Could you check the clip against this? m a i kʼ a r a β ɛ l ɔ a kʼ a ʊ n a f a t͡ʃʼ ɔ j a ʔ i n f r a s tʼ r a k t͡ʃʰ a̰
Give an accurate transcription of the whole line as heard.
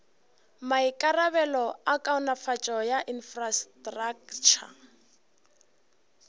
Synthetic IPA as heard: m a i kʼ a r a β ɛ l ɔ a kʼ a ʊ n a f a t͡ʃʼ ɔ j a ʔ i n f r a s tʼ r a k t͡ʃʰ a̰